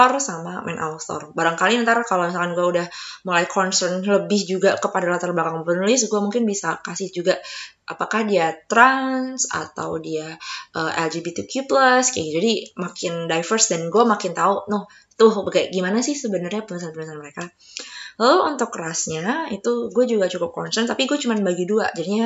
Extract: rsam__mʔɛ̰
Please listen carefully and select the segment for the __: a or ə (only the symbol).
a